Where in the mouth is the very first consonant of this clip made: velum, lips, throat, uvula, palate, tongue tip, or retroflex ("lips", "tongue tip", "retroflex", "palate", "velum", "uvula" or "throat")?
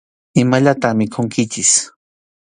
lips